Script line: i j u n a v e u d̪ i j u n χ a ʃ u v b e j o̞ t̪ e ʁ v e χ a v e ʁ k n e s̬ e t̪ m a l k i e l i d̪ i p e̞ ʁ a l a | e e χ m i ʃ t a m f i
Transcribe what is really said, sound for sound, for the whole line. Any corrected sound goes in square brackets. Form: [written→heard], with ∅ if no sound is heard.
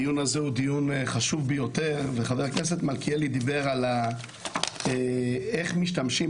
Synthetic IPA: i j u n a [v→z] e u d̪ i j u n χ a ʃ u v b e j o̞ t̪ e ʁ v e χ a v e ʁ k n e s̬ e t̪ m a l k i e l i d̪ i [p→b] e̞ ʁ a l a | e e χ m i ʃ t a m [f→ʃ] i

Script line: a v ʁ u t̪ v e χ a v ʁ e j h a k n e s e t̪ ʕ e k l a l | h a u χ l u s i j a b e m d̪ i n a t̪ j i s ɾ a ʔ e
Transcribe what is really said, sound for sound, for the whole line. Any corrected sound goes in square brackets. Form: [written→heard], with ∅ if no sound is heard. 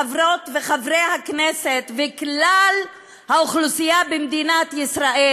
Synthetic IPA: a v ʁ [u→o] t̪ v e χ a v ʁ e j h a k n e s e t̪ [ʕ→v] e k l a l | h a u χ l u s i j a b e m d̪ i n a t̪ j i s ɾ a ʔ e

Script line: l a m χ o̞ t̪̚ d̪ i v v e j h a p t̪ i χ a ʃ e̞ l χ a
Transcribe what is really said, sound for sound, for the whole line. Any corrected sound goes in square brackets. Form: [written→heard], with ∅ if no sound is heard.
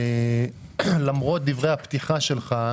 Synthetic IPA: l a m [χ→ʁ] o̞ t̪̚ d̪ i v [v→ʁ] e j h a p t̪ i χ a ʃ e̞ l χ a

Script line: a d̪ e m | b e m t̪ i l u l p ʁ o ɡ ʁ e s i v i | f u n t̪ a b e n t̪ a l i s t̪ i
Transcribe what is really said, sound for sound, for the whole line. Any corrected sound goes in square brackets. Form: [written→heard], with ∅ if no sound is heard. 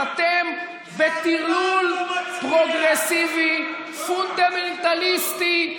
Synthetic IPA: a [d̪→t̪] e m | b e [m→∅] t̪ i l u l p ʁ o ɡ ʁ e s i v i | f u n [t̪→d̪] a [b→m] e n t̪ a l i s t̪ i

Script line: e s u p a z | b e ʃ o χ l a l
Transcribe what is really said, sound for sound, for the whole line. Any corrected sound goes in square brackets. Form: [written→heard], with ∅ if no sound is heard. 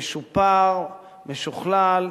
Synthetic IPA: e [s→ʃ] u p a [z→ʁ] | [b→m] e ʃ [o→u] χ l a l

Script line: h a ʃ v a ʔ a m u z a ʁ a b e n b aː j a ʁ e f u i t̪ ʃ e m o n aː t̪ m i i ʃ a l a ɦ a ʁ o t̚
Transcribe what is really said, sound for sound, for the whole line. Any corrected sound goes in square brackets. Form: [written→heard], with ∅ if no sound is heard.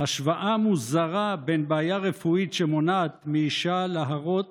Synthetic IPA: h a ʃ v a ʔ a m u z a ʁ a b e n b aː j a ʁ e f u i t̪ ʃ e m o n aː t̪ m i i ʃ a l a ɦ a ʁ o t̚

